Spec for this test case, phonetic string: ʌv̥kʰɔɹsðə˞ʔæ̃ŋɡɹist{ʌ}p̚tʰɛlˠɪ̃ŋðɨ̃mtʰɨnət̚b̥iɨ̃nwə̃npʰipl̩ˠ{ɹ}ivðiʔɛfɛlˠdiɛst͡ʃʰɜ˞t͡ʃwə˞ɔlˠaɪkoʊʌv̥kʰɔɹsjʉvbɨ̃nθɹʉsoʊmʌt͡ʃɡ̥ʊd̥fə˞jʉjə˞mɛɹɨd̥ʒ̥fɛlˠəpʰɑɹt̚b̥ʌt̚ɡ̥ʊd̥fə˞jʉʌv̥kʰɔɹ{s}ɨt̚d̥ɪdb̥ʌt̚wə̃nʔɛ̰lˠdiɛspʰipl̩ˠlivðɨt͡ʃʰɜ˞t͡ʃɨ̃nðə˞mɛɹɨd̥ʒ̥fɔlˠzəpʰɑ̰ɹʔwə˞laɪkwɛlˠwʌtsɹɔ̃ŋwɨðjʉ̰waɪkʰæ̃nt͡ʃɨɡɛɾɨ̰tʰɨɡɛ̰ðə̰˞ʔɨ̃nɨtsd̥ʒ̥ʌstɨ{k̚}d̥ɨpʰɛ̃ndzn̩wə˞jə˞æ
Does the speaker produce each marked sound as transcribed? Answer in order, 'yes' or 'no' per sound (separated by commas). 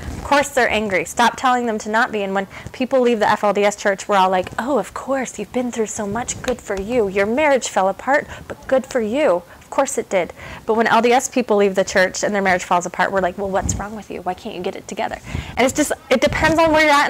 no, no, yes, no